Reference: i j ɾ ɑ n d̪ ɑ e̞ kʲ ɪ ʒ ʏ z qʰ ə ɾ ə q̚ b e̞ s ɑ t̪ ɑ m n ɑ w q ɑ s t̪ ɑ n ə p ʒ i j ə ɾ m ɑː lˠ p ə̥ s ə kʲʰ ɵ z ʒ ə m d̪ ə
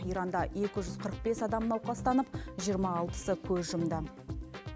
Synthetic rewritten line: i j ɾ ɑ n d̪ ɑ e̞ kʲ ɪ ʒ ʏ z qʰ ə ɾ ə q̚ b e̞ s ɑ d̪ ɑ m n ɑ w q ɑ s t̪ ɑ n ə p ʒ i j ə ɾ m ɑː lˠ p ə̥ s ə kʲʰ ɵ z ʒ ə m d̪ ə